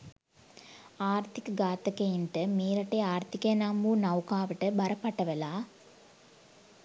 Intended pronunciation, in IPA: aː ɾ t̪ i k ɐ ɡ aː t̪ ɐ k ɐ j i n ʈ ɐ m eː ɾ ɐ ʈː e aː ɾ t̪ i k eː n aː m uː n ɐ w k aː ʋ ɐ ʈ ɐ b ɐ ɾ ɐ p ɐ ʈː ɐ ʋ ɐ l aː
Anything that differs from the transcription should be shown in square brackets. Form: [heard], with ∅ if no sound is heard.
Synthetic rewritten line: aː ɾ t̪ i k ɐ ɡ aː t̪ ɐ k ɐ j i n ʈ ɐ m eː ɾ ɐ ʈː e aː ɾ t̪ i k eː n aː m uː n ɐ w k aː ʋ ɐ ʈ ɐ b ɐ ɾ ɐ p ɐ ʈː ɐ ʋ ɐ l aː